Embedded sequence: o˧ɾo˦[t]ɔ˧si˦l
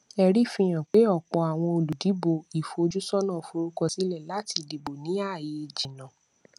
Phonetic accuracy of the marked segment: incorrect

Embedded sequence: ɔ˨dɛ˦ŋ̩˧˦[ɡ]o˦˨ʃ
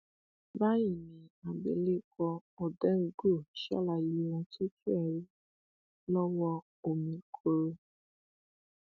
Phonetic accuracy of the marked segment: correct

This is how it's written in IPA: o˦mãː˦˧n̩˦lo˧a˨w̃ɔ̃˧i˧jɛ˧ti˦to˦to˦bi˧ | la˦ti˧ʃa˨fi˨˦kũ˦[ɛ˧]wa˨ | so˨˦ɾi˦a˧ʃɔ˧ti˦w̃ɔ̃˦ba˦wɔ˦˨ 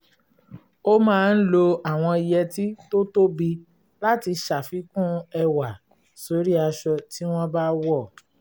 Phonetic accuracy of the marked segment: correct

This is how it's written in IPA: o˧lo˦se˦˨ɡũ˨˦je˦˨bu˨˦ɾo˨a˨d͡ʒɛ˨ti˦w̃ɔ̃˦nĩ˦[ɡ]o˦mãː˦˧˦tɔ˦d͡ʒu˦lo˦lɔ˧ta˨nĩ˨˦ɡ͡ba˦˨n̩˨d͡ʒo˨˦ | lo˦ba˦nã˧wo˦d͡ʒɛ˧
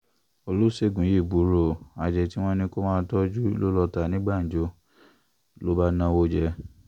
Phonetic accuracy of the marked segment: incorrect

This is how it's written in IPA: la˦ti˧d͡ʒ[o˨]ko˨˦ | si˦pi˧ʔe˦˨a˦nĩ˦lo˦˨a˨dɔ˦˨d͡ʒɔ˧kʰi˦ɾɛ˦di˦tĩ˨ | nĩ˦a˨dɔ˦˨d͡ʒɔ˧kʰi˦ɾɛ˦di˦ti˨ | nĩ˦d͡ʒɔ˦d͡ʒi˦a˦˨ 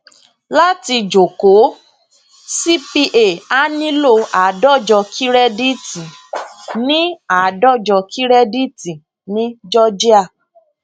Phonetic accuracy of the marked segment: correct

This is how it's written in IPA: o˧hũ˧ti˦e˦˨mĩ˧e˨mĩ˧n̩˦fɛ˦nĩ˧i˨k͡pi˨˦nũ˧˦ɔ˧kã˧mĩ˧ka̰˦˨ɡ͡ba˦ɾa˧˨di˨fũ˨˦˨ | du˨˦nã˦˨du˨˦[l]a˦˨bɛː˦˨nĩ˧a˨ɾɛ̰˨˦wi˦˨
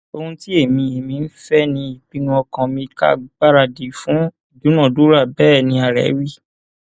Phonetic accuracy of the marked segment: incorrect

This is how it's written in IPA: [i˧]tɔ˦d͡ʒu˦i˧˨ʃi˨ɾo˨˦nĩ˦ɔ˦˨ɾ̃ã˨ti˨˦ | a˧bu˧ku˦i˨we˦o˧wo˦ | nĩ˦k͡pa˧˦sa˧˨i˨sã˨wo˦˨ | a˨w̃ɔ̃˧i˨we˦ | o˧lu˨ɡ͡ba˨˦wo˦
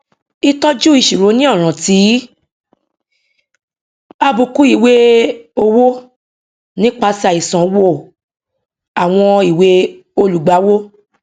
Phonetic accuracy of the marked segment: correct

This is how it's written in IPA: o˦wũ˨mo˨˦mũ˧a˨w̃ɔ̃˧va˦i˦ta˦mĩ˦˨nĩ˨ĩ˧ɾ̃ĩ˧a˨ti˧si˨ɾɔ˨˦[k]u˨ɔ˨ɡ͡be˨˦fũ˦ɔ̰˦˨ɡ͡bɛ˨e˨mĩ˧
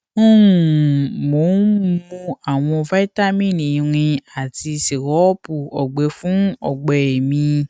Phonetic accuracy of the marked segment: incorrect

